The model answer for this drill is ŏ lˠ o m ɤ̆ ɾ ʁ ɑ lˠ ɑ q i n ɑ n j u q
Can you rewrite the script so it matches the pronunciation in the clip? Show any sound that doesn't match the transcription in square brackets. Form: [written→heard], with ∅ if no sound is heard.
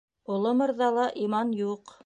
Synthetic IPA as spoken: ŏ lˠ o m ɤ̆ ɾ [ʁ→ð] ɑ lˠ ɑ [q→ʔ] i [n→m] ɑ n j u q